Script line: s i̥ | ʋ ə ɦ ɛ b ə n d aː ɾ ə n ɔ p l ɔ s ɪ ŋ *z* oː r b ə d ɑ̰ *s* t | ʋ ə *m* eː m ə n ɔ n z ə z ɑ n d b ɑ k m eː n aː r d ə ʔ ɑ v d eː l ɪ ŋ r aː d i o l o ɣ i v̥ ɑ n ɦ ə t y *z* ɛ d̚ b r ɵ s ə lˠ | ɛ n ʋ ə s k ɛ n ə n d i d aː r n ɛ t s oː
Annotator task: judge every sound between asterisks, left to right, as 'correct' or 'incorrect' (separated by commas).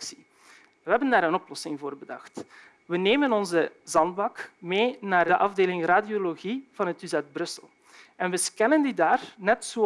incorrect, incorrect, incorrect, correct